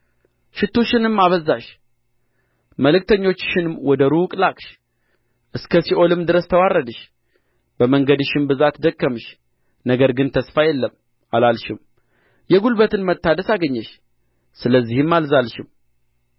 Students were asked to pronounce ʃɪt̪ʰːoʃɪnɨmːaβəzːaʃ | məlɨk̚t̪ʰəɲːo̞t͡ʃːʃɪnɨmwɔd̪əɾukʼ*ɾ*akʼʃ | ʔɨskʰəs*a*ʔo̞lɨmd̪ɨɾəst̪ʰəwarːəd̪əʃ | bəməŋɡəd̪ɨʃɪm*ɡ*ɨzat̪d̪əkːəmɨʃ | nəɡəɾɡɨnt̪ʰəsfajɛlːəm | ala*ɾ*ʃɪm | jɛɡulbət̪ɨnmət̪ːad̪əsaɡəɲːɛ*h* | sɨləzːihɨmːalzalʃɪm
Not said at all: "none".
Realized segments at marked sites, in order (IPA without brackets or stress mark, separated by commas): l, i, b, l, ʃ